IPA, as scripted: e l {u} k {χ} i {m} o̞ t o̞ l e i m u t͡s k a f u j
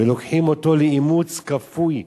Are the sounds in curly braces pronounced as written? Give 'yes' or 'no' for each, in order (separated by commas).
no, no, yes